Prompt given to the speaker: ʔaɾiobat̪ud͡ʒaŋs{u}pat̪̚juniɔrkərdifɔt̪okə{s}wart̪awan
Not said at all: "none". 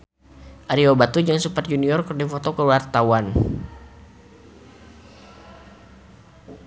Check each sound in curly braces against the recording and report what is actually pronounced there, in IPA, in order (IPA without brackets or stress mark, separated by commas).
u, none